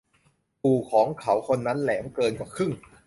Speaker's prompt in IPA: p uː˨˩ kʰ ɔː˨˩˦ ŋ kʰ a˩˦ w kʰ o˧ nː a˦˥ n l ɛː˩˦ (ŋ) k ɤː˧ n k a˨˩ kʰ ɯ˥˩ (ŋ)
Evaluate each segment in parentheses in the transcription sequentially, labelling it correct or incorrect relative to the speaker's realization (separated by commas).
incorrect, correct